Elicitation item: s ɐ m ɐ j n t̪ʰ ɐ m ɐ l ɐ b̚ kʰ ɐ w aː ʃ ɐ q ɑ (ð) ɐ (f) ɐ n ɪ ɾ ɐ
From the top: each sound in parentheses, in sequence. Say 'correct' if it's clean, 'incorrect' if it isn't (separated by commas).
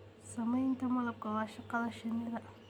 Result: correct, incorrect